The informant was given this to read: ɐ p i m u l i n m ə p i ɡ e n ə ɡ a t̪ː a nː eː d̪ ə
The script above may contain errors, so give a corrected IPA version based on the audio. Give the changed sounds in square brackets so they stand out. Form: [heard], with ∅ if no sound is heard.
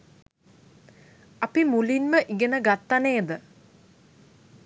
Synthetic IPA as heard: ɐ p i m u l i n m ə [ʔ] i ɡ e n ə ɡ a t̪ː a [n] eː d̪ ə